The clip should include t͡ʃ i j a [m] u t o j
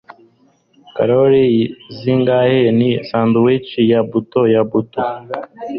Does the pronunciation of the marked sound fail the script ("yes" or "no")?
yes